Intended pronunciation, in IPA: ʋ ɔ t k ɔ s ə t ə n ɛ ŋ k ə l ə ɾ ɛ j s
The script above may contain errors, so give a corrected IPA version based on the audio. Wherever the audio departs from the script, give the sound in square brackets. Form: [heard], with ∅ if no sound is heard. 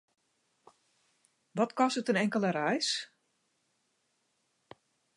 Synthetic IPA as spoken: ʋ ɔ t k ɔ s ə t ə n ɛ ŋ k ə l ə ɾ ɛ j s